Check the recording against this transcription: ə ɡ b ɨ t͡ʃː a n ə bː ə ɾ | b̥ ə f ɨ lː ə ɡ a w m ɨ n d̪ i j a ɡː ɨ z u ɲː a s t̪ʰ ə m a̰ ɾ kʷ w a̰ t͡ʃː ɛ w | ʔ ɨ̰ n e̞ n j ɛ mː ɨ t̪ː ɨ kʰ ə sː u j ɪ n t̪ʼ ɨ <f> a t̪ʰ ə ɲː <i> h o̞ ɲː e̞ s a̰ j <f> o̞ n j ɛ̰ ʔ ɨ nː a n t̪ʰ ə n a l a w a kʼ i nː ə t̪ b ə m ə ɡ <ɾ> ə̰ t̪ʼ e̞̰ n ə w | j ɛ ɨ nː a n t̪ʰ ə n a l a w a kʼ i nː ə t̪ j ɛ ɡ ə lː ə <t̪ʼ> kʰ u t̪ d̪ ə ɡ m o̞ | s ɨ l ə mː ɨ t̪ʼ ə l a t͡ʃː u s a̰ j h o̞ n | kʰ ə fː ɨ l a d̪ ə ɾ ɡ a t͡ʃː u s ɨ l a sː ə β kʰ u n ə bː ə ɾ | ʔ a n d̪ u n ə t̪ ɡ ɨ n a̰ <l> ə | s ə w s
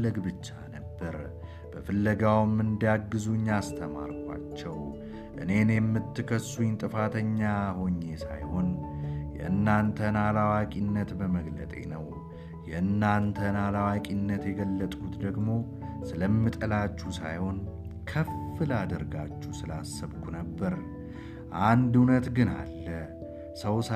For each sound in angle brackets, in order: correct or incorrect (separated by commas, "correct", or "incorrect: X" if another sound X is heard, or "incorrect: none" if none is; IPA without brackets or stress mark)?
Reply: correct, incorrect: a, incorrect: h, incorrect: l, correct, incorrect: lː